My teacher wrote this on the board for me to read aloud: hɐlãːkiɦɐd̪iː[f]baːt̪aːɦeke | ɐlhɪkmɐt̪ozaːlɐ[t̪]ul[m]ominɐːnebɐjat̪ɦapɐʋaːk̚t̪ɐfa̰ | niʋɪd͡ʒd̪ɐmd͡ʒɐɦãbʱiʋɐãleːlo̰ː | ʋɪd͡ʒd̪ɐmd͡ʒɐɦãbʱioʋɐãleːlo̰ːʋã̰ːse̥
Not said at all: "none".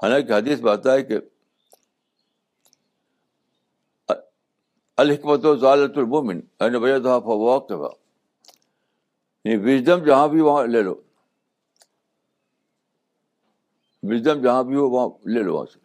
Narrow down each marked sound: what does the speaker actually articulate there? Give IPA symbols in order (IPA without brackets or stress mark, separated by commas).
s, t̪, m